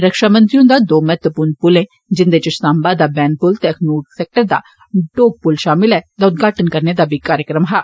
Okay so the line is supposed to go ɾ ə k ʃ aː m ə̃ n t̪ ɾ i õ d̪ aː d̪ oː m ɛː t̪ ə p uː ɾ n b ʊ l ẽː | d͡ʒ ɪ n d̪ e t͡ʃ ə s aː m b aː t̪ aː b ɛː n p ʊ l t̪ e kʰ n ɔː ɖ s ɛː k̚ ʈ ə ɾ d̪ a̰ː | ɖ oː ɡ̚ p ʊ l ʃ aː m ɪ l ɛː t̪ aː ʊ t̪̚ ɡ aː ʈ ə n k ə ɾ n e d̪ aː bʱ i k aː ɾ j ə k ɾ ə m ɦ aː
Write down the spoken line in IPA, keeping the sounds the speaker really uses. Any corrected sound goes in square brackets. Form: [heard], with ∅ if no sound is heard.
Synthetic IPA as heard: ɾ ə k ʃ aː m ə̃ n t̪ ɾ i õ d̪ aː d̪ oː m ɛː t̪ ə p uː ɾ n [p] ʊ l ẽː | d͡ʒ ɪ n d̪ e t͡ʃ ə s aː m b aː [d̪] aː b ɛː n p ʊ l t̪ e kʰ n [uː] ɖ s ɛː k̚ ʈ ə ɾ d̪ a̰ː | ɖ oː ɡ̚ p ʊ l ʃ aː m ɪ l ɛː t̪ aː ʊ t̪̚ ɡ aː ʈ ə n k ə ɾ n e d̪ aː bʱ i k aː ɾ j ə k ɾ ə m ɦ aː